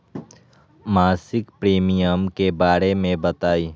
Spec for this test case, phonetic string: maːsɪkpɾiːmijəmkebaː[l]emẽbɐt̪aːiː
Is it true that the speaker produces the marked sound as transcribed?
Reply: no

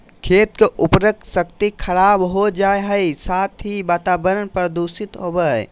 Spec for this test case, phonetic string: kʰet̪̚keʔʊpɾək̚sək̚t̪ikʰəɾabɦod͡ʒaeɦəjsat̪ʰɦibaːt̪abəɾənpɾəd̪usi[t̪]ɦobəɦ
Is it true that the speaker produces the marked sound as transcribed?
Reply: yes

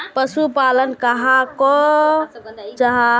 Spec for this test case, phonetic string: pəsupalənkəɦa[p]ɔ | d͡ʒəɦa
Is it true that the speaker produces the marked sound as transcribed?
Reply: no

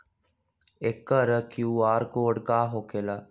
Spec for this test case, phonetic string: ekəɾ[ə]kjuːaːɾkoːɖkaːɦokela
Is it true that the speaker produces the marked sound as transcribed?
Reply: yes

